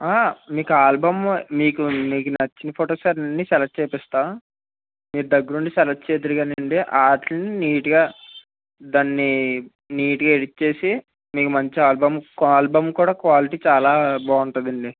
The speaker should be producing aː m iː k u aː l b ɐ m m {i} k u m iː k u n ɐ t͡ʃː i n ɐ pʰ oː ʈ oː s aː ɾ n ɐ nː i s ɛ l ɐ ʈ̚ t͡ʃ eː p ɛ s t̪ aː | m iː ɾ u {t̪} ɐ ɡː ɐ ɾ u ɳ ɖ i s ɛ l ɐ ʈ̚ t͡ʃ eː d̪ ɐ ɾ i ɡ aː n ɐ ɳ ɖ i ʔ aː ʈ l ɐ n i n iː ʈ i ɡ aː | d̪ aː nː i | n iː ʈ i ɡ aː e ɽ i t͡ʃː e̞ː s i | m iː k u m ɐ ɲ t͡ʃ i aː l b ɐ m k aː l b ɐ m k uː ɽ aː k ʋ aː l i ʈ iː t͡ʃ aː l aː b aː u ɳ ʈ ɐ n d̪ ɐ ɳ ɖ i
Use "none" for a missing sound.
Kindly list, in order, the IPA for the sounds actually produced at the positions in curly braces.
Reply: iː, d̪

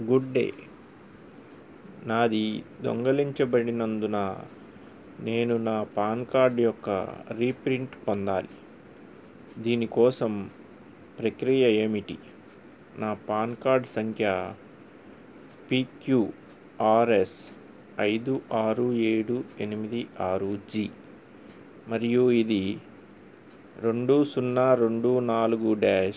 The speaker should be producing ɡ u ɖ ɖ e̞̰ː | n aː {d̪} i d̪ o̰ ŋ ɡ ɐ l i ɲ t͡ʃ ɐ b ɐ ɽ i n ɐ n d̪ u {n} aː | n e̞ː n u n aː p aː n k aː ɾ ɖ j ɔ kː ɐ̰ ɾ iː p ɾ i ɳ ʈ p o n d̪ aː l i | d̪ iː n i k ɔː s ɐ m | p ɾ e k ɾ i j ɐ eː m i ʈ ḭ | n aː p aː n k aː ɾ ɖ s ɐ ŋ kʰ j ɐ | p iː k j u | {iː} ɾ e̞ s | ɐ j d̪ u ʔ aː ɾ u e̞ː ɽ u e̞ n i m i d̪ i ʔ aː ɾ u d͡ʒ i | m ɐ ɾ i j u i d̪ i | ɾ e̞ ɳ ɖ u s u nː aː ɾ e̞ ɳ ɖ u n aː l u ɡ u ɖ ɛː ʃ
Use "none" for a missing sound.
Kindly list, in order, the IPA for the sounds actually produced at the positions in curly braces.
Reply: d̪, n, aː

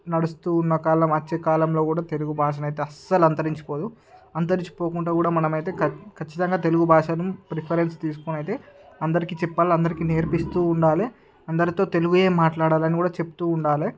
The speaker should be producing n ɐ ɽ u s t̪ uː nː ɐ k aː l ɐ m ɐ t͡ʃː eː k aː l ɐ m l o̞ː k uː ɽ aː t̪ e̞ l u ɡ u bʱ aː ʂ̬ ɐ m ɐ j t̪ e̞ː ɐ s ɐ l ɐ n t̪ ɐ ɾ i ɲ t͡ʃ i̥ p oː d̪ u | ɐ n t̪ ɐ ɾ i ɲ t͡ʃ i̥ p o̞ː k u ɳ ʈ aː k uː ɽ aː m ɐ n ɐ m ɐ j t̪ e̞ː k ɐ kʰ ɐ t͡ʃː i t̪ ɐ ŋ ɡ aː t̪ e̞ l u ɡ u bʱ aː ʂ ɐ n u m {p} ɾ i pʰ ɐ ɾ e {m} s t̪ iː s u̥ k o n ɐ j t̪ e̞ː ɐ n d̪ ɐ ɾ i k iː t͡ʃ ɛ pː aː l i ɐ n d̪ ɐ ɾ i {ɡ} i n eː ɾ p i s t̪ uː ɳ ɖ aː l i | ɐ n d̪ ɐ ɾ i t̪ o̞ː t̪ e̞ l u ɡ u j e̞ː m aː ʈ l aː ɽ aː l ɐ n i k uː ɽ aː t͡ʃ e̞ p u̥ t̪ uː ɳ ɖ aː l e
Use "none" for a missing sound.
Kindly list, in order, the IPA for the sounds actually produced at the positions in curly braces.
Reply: p, n, k

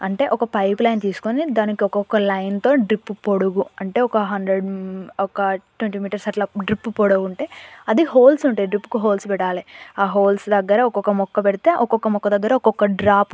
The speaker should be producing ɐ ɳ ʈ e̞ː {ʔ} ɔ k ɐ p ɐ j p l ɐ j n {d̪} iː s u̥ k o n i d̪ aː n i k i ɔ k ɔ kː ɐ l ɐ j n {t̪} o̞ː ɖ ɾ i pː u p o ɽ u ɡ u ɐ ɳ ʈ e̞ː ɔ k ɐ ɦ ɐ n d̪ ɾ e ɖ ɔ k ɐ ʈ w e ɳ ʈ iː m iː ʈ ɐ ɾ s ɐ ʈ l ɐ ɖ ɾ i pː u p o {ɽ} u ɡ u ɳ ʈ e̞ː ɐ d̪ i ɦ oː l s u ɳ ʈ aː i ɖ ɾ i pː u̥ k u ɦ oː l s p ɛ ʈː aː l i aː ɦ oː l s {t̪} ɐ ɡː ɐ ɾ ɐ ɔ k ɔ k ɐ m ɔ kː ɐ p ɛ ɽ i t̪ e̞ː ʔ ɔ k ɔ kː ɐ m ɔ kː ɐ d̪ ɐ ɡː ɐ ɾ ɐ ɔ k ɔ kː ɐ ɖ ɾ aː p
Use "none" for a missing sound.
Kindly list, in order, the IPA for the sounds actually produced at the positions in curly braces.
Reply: ʔ, t̪, t̪, ɽ, d̪

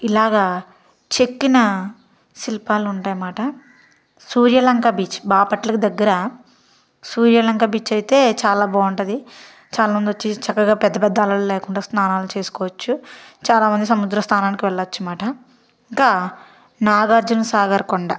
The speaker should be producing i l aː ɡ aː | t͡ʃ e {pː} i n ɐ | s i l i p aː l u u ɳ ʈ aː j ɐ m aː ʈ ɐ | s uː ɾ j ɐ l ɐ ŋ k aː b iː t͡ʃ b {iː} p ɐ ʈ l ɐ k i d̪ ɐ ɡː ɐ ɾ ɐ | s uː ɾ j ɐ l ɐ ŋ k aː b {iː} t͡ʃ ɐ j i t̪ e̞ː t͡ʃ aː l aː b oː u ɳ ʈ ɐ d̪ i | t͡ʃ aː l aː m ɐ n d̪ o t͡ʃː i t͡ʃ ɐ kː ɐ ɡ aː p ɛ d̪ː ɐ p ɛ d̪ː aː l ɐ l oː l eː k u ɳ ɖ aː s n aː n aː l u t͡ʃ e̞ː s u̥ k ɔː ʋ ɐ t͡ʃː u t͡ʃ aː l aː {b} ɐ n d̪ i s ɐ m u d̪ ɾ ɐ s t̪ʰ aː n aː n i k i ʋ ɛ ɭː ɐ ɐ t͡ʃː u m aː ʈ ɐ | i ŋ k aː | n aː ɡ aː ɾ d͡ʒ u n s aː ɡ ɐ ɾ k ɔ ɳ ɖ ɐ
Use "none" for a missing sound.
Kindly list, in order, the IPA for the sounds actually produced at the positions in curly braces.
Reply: kː, aː, iː, m

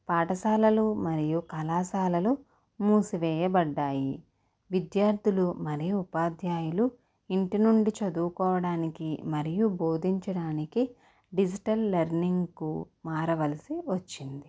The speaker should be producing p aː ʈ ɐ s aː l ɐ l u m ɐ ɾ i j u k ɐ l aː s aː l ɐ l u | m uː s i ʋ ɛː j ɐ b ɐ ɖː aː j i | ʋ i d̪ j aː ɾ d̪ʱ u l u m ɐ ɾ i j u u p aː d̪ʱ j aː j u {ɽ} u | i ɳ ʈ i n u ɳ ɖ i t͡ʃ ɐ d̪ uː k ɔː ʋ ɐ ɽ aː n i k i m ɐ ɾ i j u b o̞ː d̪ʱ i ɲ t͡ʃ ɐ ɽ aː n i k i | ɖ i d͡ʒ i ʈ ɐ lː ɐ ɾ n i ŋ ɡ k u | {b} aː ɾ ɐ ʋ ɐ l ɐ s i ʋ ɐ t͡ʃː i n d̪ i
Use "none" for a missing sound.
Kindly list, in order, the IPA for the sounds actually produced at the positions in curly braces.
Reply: l, m

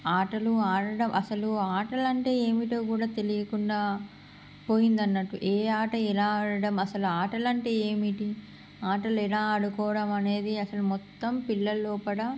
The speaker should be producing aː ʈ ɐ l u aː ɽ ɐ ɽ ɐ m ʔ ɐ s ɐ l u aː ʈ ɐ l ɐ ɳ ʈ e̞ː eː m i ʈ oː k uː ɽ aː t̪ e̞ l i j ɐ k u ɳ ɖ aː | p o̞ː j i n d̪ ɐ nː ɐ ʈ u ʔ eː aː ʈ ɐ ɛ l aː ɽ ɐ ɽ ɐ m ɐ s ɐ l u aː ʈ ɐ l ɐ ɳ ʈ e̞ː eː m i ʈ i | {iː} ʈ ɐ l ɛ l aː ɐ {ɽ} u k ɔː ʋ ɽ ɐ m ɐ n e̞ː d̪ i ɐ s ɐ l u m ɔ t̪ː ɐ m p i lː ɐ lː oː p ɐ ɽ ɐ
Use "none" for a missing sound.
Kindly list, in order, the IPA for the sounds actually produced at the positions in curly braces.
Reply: aː, ɽ

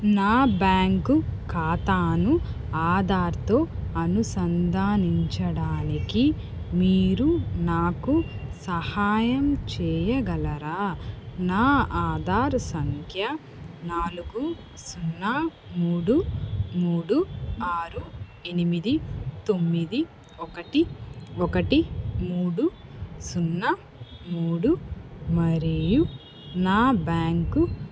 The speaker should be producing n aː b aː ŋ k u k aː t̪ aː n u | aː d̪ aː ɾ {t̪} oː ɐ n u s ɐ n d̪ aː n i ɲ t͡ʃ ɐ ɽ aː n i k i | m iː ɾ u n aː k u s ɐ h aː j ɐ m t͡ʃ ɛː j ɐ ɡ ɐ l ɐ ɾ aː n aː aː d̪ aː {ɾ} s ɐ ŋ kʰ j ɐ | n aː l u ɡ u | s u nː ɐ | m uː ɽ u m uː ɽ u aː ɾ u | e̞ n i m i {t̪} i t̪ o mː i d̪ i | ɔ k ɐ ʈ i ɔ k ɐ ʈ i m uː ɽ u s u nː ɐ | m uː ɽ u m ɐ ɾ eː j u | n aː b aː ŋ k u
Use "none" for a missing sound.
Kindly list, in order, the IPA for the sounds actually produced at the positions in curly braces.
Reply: t̪, ɾ, d̪

